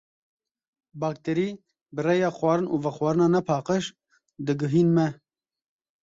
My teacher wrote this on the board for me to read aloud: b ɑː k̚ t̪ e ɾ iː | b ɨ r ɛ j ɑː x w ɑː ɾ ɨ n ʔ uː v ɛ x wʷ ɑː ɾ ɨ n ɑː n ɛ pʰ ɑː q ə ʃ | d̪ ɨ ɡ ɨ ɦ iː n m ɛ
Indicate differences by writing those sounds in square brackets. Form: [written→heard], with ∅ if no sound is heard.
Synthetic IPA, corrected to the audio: b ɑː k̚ t̪ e ɾ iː | b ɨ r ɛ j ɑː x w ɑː ɾ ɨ n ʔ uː v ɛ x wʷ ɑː ɾ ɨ n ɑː n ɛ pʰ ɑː q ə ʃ | d̪ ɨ ɡ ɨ ɦ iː n m ɛ